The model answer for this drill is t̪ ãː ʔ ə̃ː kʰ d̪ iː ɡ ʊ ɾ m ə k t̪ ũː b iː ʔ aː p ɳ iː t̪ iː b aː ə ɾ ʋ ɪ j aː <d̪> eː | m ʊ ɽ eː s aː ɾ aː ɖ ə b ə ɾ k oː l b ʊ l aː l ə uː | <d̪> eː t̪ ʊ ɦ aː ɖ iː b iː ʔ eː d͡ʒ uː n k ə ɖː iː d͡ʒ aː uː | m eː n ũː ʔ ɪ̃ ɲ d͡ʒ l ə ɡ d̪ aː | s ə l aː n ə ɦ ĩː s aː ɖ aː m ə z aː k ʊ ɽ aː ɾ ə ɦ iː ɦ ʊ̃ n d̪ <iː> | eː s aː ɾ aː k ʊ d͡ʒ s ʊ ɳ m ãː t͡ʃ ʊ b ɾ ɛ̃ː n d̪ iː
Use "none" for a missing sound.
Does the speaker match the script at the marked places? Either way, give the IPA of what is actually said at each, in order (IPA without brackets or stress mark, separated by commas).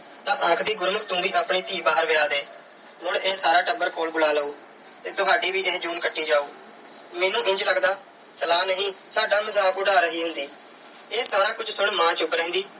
d̪, t̪, iː